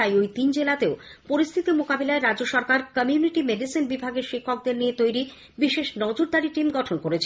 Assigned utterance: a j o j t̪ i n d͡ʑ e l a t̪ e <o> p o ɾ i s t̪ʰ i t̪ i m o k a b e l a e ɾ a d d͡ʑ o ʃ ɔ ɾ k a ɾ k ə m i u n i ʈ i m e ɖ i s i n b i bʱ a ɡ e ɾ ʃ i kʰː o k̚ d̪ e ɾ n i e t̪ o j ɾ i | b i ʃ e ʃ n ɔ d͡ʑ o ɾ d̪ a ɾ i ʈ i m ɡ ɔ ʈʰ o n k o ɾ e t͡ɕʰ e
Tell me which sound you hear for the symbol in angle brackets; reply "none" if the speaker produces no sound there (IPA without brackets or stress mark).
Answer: o